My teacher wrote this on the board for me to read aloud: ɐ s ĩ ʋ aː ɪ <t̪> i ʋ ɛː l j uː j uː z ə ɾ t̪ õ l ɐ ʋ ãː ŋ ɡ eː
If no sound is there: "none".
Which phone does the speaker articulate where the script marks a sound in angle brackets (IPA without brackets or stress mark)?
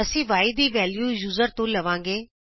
d̪